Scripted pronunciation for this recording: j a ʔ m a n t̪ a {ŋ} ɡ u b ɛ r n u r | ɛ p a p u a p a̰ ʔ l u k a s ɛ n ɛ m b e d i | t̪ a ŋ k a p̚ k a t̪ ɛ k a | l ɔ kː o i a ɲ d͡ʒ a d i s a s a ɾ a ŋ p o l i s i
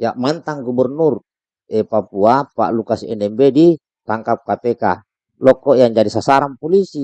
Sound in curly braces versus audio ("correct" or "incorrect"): correct